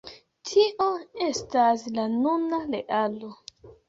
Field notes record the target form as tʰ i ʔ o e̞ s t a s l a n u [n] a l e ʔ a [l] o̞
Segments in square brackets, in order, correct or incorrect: correct, correct

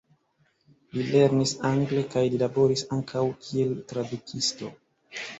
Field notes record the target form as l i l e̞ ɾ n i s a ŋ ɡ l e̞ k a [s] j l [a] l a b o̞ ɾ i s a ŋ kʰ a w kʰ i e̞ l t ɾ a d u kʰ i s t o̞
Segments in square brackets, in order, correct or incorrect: incorrect: none, incorrect: i

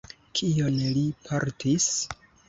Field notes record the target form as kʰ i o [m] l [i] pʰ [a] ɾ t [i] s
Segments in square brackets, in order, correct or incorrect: incorrect: n, correct, correct, correct

